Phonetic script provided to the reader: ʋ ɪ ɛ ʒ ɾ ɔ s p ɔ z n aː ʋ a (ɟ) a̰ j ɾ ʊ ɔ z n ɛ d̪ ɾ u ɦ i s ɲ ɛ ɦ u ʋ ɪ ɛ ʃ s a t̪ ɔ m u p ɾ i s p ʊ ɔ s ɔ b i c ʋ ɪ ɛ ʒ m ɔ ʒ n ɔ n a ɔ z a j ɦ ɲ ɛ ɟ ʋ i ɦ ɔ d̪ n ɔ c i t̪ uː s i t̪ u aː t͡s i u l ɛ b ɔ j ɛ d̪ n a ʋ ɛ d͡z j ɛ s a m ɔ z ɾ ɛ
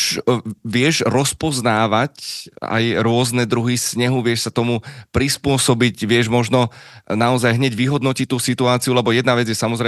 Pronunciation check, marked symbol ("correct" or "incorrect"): incorrect